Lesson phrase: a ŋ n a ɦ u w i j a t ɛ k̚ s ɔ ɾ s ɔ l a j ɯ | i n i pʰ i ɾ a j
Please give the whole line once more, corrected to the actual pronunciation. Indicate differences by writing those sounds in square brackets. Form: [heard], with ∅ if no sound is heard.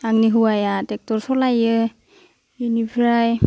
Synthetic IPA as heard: a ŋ n [i] ɦ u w [a] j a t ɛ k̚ [t] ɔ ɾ s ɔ l a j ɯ | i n i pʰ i ɾ a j